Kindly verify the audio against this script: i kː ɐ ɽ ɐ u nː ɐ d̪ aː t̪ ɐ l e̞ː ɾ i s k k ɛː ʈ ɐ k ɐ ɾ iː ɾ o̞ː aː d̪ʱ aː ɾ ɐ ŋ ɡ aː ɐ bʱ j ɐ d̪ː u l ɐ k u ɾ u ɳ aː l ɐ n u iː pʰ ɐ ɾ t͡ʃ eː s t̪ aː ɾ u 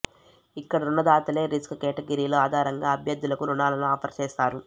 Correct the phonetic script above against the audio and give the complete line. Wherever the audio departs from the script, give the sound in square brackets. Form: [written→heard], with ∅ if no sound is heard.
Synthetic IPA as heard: i kː ɐ ɽ ɐ u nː ɐ d̪ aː t̪ ɐ l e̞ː ɾ i s k k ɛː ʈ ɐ [k→ɡ] ɐ ɾ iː [ɾ→l] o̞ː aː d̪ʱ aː ɾ ɐ ŋ ɡ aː ɐ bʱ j ɐ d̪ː u l ɐ k u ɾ u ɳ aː l ɐ n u [iː→aː] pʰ ɐ ɾ t͡ʃ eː s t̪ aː ɾ u